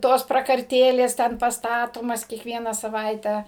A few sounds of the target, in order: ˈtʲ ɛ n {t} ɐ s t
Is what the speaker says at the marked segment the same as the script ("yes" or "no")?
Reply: no